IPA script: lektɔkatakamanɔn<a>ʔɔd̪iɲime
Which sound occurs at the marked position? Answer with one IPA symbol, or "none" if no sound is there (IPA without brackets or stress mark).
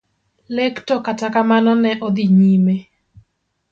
ɛ